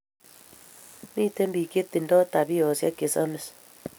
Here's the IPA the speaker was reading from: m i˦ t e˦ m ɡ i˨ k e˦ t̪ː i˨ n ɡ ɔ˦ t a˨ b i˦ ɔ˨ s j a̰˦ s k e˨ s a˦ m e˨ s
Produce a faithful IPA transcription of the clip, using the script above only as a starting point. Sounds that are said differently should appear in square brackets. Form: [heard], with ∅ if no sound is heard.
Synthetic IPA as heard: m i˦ t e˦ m [b] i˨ k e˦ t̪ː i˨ n [d] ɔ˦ t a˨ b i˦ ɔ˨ s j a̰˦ [∅] k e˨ s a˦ m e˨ s